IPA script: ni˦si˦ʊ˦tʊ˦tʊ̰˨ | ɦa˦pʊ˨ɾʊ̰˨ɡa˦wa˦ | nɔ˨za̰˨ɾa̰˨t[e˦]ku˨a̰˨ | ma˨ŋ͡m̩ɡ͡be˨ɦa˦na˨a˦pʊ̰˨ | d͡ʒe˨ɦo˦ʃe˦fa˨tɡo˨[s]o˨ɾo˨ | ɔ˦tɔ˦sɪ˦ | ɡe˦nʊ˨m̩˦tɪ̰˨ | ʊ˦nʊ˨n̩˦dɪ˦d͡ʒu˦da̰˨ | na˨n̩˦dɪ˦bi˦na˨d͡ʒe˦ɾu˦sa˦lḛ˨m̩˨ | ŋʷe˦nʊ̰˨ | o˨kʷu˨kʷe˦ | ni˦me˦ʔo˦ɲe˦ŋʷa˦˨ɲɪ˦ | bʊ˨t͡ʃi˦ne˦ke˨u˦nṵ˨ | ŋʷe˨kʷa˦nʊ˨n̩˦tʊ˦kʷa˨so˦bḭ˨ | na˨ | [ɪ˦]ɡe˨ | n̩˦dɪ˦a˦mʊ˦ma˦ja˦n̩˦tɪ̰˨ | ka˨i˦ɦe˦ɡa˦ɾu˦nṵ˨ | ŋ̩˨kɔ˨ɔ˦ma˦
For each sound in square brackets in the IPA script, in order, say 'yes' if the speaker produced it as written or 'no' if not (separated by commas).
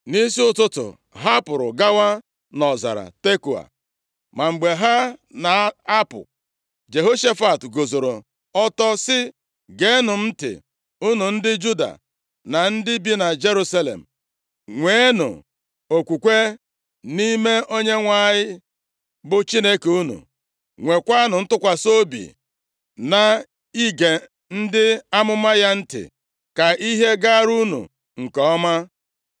yes, no, no